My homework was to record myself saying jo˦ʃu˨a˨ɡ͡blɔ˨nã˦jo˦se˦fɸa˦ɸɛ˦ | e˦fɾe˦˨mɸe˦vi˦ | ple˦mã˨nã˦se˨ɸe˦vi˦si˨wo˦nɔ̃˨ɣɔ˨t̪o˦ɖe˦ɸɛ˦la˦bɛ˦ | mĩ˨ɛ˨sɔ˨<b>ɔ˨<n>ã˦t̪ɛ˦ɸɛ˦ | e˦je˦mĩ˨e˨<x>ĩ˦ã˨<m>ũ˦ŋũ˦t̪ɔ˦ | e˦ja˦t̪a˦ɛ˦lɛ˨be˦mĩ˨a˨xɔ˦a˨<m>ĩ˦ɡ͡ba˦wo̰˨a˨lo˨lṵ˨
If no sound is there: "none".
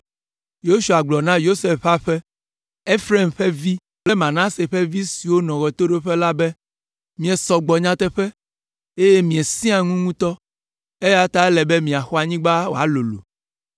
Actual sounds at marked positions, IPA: ɡ͡b, ɲ, s, ŋ, ɲ

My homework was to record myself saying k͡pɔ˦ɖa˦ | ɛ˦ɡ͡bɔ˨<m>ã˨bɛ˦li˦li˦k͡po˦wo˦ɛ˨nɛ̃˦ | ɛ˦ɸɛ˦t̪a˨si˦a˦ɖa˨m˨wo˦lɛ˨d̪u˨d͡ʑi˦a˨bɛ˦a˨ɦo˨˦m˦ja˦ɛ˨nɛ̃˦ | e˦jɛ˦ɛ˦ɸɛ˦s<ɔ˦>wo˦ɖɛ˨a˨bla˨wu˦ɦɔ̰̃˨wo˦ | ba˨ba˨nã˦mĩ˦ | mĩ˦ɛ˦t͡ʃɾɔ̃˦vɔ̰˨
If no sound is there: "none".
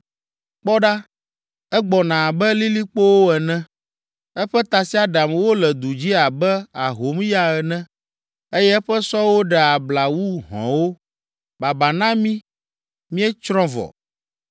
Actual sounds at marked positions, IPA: n, ɔ˦

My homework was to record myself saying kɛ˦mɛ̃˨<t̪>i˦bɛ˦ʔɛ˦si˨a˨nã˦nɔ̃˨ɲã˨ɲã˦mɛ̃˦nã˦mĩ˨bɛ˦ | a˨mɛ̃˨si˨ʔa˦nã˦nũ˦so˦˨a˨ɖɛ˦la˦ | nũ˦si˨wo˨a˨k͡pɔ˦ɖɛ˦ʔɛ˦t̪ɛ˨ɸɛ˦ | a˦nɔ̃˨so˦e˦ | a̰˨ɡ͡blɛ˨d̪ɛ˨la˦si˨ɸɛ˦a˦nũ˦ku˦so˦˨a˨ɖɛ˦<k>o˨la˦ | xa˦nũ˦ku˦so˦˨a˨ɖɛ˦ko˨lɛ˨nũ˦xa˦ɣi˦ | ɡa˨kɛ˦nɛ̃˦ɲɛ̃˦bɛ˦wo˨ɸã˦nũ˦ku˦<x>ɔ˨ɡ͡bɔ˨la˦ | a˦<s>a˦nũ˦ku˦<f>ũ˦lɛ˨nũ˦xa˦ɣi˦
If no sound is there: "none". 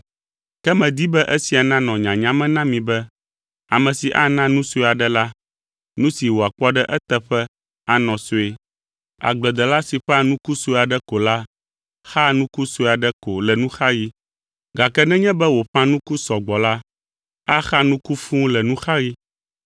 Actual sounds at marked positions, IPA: d̪, k, s, x, f

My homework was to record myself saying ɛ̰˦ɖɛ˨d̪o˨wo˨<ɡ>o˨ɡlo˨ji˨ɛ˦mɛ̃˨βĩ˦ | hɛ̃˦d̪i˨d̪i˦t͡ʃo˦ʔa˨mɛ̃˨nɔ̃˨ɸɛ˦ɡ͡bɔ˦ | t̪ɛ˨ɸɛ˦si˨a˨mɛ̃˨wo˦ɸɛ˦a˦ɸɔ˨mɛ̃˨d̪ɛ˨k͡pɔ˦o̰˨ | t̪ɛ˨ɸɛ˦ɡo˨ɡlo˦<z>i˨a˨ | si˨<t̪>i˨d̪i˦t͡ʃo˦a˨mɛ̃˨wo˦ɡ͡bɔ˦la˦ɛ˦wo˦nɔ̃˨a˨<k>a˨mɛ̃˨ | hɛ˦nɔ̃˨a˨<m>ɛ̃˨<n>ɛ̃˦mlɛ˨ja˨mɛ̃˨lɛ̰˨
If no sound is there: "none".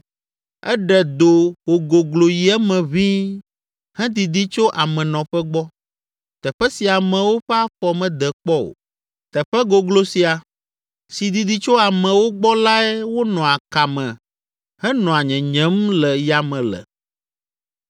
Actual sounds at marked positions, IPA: ɡ, s, d̪, k, ɲ, ɲ

